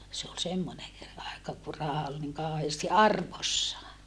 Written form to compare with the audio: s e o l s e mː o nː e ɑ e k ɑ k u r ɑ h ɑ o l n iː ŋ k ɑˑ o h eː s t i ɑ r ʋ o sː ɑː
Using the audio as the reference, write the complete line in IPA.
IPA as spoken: s e o l s e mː o n e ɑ e k ɑ k u r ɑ h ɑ o l n i ŋ k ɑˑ o h eː s t i ɑ r ʋ o sː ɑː